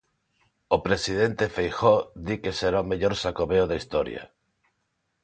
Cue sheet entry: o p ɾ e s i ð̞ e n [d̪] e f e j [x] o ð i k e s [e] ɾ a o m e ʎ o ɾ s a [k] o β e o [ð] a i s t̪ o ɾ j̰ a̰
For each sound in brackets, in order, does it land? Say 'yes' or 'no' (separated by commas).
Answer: no, yes, yes, yes, yes